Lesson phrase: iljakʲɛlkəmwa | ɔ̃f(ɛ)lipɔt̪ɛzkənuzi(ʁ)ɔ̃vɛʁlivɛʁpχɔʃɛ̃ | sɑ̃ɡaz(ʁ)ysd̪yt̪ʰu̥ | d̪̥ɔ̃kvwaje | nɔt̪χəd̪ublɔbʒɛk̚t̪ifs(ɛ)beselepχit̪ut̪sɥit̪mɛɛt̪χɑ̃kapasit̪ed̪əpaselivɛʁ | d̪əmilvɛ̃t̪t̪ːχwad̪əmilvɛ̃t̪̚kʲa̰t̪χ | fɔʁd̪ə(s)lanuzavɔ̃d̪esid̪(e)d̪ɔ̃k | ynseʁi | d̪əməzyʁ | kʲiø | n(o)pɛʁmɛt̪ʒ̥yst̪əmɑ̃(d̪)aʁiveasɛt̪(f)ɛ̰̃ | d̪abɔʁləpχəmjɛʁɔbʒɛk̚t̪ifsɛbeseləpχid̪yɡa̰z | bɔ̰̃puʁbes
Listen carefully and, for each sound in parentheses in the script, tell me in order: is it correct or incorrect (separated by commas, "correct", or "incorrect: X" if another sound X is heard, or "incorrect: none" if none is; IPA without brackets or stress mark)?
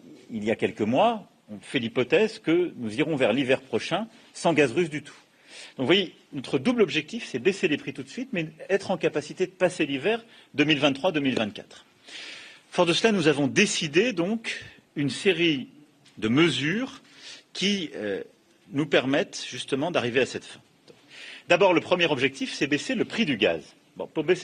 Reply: correct, correct, correct, correct, correct, correct, incorrect: u, correct, correct